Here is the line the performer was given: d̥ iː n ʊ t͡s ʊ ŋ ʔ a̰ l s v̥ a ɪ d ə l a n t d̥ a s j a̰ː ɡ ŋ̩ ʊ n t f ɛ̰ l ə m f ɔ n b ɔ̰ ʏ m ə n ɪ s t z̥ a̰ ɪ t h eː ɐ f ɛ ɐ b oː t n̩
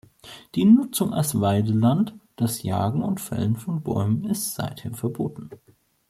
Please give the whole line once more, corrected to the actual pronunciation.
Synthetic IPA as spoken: d̥ iː n ʊ t͡s ʊ ŋ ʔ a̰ l s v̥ a ɪ d ə l a n t d̥ a s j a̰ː ɡ ŋ̩ ʊ n t f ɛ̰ l ə n f ɔ n b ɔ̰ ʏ m ə n ɪ s t z̥ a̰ ɪ t h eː ɐ f ɛ ɐ b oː t n̩